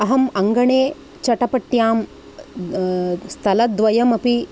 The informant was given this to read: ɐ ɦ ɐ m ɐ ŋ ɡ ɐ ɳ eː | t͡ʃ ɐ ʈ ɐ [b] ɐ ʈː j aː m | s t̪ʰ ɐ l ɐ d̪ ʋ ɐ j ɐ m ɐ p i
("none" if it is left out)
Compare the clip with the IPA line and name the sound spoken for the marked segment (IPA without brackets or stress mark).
p